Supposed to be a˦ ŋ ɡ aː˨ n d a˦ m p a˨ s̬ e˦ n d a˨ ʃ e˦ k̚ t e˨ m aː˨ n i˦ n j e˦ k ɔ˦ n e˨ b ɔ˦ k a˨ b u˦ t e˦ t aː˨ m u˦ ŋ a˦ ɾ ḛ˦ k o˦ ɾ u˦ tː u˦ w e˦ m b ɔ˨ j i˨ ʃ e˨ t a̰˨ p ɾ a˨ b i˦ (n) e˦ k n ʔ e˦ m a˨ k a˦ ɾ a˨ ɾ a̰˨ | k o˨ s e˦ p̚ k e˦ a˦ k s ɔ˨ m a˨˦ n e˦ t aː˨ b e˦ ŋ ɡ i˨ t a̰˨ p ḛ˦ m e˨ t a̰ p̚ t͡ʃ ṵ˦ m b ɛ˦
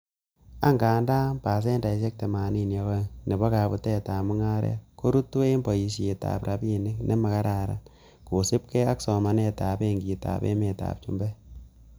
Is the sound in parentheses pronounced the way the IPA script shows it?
yes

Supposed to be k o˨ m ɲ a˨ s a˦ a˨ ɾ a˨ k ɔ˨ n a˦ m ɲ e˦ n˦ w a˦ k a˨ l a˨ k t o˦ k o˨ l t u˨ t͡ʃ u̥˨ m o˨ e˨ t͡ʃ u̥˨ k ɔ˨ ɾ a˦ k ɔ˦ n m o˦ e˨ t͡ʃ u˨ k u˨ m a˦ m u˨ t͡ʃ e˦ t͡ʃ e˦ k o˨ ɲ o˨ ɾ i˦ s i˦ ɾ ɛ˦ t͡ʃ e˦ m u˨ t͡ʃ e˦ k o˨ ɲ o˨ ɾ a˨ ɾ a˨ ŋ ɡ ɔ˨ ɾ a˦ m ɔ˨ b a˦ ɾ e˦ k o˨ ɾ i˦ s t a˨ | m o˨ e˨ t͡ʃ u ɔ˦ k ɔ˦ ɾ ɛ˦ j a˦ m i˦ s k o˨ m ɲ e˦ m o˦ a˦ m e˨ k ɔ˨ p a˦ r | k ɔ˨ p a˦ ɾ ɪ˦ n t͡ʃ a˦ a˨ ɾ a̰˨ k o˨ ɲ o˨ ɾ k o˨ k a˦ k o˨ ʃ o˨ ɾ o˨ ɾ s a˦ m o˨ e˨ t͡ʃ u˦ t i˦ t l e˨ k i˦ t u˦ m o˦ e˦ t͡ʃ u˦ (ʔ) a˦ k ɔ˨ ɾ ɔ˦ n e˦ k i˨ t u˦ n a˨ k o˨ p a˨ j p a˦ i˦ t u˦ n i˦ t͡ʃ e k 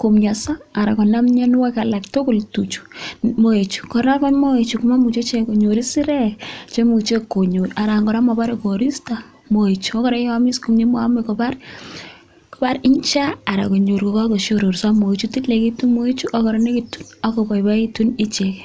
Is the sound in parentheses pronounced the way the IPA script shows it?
yes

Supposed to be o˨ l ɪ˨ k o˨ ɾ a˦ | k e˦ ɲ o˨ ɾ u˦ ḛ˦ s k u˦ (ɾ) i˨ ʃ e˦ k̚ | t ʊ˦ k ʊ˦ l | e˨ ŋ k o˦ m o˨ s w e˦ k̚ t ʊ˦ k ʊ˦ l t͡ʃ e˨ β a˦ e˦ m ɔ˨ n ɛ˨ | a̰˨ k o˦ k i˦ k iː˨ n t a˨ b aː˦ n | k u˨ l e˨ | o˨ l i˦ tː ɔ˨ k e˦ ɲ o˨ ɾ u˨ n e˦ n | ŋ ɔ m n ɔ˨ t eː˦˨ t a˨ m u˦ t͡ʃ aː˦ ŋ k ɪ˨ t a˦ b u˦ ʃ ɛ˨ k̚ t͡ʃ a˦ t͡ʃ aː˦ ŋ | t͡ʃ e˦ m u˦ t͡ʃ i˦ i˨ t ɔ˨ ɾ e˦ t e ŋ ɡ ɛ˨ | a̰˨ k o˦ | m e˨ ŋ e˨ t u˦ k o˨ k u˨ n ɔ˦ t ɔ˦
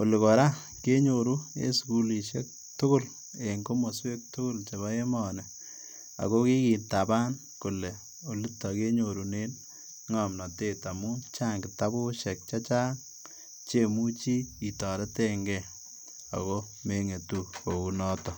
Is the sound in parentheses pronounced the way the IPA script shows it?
no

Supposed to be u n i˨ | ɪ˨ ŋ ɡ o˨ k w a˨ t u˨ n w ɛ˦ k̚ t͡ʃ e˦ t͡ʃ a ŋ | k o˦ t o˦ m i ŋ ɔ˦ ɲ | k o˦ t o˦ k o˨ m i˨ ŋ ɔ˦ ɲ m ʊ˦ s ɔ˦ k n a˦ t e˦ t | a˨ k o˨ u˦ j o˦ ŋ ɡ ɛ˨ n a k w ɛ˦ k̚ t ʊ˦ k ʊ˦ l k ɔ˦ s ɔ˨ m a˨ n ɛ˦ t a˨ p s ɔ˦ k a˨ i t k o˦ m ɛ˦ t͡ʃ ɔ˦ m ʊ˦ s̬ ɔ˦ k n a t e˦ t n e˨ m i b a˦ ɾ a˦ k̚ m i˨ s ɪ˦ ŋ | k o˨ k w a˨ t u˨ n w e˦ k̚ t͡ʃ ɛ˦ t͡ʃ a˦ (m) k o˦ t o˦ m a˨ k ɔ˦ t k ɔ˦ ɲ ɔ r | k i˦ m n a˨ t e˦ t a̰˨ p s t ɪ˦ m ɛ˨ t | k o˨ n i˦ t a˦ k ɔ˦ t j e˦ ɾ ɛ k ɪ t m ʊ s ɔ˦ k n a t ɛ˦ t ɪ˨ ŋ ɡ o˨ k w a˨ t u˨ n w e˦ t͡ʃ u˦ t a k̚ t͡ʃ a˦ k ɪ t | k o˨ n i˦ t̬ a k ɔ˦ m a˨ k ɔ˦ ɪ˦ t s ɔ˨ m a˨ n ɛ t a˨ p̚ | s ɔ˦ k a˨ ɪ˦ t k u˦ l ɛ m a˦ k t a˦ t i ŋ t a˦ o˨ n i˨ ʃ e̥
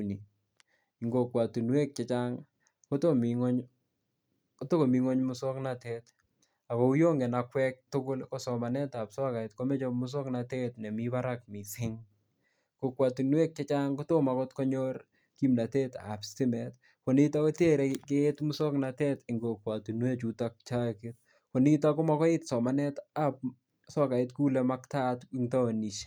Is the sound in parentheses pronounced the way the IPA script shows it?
no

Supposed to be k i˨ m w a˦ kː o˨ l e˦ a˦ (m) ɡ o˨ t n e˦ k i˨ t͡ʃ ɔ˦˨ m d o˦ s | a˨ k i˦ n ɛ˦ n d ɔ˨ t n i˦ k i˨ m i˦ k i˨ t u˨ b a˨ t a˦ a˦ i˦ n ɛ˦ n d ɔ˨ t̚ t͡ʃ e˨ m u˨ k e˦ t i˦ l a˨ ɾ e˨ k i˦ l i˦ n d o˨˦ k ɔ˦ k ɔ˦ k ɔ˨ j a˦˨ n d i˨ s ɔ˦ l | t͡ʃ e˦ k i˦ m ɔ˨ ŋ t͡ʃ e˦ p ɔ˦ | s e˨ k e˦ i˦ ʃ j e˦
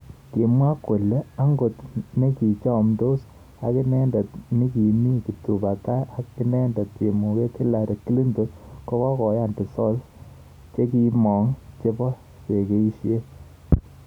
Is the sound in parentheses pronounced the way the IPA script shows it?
no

